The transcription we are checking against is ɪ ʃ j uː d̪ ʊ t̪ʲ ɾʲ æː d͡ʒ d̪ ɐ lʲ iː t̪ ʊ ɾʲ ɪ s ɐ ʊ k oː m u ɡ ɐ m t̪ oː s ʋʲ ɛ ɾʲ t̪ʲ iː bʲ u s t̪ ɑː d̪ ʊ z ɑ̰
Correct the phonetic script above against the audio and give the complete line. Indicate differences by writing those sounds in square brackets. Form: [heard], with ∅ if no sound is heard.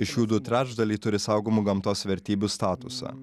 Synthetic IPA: ɪ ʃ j uː d̪ ʊ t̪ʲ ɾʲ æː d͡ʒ d̪ ɐ lʲ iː t̪ ʊ ɾʲ ɪ s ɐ ʊ [ɡ] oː m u ɡ ɐ m t̪ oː s ʋʲ ɛ ɾʲ t̪ʲ iː bʲ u s t̪ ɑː [t̪] ʊ [s] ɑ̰